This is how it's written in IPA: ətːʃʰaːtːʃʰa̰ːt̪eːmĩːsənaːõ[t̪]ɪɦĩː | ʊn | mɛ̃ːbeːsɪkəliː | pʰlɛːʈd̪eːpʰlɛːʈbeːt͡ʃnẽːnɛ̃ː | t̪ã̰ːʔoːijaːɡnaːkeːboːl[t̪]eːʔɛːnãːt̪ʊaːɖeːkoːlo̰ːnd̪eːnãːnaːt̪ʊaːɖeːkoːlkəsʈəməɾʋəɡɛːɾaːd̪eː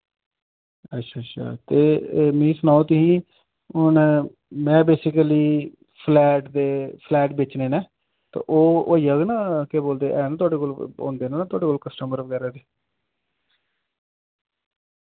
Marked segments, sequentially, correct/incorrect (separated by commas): correct, incorrect